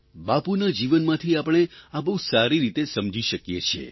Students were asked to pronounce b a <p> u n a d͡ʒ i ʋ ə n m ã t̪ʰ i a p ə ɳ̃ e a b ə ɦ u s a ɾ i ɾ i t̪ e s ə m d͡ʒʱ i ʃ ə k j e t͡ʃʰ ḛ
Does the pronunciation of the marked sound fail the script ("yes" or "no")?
no